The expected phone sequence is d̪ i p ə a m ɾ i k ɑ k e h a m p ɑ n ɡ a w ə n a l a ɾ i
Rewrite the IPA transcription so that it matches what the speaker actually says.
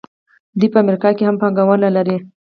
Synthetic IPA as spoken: d̪ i p ə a m ɾ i k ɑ k e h a m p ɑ ŋ ɡ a w ə n a l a ɾ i